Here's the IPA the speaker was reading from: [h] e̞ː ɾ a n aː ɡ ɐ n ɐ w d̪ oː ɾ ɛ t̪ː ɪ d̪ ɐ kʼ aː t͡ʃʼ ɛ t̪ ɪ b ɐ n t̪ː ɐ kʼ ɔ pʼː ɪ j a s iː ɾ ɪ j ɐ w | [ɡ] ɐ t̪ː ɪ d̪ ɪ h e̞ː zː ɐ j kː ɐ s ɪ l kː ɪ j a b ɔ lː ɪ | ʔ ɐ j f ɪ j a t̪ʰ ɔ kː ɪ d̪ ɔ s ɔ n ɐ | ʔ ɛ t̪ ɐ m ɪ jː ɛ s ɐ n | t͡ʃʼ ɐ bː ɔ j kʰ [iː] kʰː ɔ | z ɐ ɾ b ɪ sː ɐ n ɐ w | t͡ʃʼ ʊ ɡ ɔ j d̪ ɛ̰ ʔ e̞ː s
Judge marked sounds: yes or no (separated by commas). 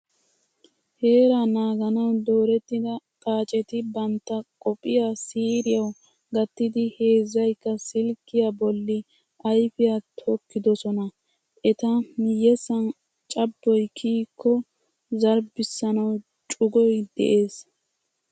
yes, yes, yes